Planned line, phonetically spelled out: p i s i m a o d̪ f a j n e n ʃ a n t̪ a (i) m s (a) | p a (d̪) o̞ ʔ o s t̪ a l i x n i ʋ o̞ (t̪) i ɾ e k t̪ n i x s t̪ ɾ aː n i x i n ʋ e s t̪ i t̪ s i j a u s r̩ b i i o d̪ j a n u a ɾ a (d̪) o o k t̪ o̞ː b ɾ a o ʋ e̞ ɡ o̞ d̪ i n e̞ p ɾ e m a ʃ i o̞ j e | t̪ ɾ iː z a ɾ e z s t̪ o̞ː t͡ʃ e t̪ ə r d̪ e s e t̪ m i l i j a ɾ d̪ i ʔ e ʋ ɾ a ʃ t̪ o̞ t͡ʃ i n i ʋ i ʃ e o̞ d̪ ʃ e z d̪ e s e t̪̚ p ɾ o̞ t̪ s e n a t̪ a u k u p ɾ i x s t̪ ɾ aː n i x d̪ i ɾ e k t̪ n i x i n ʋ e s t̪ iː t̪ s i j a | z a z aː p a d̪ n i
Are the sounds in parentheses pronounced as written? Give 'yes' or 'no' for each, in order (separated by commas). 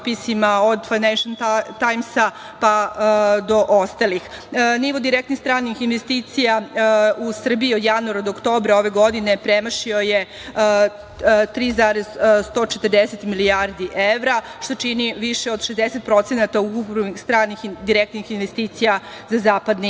no, yes, yes, no, yes